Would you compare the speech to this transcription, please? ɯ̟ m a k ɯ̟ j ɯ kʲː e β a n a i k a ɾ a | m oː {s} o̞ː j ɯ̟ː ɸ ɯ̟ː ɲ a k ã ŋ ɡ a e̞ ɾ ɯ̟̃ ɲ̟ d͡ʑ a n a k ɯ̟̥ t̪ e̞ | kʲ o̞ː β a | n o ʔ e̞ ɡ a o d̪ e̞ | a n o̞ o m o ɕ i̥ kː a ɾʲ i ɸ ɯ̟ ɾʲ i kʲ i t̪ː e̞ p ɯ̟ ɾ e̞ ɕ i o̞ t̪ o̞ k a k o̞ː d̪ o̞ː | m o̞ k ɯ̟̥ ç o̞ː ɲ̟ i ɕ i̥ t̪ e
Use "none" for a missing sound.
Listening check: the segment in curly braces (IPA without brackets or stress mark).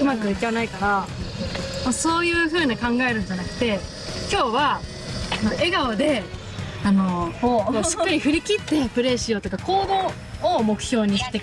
s